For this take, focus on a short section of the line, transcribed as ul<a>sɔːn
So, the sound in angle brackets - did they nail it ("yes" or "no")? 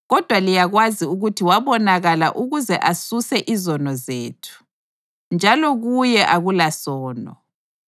yes